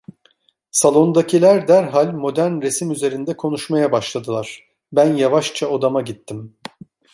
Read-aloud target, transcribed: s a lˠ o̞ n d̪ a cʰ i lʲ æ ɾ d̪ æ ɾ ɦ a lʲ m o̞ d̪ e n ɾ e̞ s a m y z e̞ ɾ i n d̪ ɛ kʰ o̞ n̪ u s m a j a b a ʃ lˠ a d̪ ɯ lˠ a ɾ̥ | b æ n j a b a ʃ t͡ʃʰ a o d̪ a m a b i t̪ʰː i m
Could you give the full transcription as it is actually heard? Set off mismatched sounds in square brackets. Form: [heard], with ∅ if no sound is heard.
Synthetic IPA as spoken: s a lˠ o̞ n d̪ a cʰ i lʲ æ ɾ d̪ æ ɾ ɦ a lʲ m o̞ d̪ [æ] n ɾ e̞ s [i] m y z e̞ ɾ i n d̪ ɛ kʰ o̞ n̪ u [ʃ] m a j a b a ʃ lˠ a d̪ ɯ lˠ a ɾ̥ | b æ n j a [v] a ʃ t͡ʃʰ a o d̪ a m a [ɟ] i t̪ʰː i m